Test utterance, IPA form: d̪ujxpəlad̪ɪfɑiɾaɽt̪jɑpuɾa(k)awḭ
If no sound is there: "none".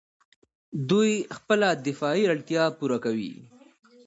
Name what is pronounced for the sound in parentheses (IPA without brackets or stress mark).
k